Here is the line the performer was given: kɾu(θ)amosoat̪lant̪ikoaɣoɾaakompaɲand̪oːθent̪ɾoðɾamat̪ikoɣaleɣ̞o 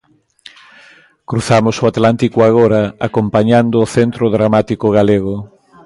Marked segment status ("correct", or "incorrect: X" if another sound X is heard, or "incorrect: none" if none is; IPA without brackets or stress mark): correct